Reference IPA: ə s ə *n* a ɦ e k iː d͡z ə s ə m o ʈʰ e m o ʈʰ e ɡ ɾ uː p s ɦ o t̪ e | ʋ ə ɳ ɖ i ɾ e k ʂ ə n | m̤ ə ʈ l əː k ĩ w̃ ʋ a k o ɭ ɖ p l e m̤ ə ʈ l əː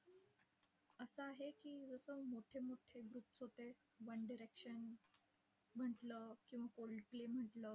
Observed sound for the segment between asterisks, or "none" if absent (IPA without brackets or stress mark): none